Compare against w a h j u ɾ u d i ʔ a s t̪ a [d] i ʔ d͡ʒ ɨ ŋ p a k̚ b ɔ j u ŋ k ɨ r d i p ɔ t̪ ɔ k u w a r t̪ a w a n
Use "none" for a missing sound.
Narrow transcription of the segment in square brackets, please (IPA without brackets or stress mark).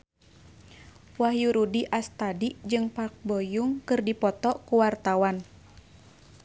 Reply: d